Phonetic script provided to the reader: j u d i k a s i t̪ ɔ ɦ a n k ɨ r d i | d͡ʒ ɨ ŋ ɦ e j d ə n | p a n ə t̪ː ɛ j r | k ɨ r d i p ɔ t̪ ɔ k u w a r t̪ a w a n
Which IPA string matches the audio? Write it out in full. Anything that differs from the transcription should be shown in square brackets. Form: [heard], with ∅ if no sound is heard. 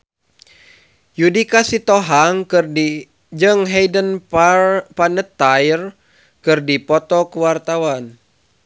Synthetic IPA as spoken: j u d i k a s i t̪ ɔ ɦ a [ŋ] k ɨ r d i | d͡ʒ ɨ ŋ ɦ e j d ə n | p a n ə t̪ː [a] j r | k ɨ r d i p ɔ t̪ ɔ k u w a r t̪ a w a n

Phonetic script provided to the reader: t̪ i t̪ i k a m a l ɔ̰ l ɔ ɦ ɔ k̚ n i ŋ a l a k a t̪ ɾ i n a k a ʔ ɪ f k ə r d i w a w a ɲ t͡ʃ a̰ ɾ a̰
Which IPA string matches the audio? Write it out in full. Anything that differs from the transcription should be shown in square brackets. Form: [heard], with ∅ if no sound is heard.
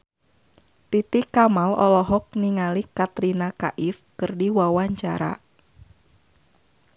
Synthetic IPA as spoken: t̪ i t̪ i k a m a l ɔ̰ l ɔ ɦ ɔ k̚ n i ŋ a l [i] k a t̪ ɾ i n a k a ʔ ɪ f k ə r d i w a w a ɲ t͡ʃ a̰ ɾ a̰

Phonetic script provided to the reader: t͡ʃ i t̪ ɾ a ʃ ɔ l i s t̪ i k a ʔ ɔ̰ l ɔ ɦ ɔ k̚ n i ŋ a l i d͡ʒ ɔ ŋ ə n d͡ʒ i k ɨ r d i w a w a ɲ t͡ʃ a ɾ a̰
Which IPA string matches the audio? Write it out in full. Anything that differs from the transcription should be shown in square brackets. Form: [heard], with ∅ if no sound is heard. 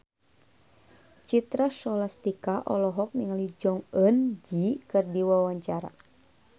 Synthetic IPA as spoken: t͡ʃ i t̪ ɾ a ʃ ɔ l [a] s t̪ i k a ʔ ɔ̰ l ɔ ɦ ɔ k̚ n i ŋ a l i d͡ʒ ɔ ŋ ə n d͡ʒ i k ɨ r d i w a w a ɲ t͡ʃ a ɾ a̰

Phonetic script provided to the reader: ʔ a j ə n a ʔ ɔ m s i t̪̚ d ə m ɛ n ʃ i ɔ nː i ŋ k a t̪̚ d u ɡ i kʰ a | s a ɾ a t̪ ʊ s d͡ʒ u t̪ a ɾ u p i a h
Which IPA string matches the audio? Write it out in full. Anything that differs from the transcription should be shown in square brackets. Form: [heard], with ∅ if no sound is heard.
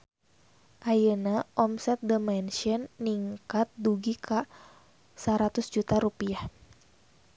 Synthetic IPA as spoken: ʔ a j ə n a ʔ ɔ m s [ɛ] t̪̚ d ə m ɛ n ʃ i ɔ nː i ŋ k a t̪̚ d u ɡ i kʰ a | s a ɾ a t̪ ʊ s d͡ʒ u t̪ a ɾ u p i a h

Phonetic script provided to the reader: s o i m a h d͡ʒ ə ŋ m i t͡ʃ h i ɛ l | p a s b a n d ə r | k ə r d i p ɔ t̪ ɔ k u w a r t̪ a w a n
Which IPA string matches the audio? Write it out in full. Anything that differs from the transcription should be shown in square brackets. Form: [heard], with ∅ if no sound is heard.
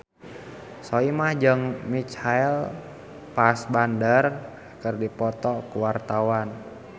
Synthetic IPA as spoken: s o i m a h d͡ʒ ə ŋ m i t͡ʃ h [a] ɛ l | p a s b a n d ə r | k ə r d i p ɔ t̪ ɔ k u w a r t̪ a w a n

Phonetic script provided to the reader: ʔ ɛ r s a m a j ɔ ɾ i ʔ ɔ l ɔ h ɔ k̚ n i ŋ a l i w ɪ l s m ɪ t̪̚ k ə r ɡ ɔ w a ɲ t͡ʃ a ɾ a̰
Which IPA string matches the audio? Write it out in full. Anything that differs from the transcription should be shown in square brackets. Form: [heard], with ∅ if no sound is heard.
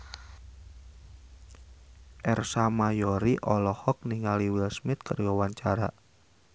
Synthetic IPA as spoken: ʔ ɛ r s a m a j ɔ ɾ i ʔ ɔ l ɔ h ɔ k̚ n i ŋ a l i w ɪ l s m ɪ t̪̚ k ə r ɡ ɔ w a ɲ t͡ʃ a ɾ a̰

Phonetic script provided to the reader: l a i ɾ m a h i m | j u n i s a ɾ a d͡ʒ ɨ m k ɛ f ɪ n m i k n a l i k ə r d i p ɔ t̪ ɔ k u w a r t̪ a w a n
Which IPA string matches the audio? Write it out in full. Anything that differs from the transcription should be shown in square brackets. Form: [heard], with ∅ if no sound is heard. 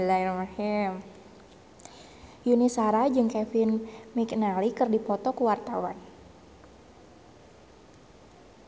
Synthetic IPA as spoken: l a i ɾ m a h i m | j u n i s a ɾ a d͡ʒ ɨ [ŋ] k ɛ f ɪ n m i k n a l i k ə r d i p ɔ t̪ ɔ k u w a r t̪ a w a n

